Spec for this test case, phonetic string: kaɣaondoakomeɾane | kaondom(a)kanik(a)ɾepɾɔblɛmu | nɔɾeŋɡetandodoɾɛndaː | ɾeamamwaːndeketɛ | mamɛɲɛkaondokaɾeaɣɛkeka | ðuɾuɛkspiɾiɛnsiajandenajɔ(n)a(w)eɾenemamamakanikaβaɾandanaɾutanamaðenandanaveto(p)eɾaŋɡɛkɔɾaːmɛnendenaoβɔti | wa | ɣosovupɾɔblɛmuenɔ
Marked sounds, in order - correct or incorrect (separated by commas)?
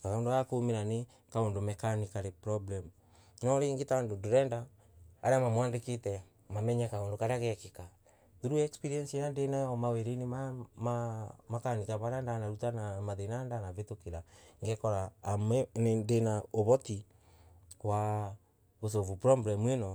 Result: incorrect, correct, incorrect, correct, incorrect